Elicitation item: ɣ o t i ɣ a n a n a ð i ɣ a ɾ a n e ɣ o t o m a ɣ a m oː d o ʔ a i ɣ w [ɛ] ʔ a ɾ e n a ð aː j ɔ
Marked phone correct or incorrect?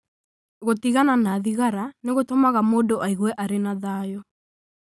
correct